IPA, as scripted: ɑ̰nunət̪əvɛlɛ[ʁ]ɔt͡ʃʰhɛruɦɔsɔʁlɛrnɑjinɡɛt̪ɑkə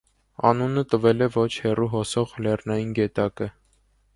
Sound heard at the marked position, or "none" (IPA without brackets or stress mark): v